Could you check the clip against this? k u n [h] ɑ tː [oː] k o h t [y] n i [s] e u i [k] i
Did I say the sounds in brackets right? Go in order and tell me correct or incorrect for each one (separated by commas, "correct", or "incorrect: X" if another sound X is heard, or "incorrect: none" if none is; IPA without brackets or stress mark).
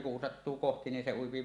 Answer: incorrect: s, incorrect: uː, incorrect: i, correct, incorrect: p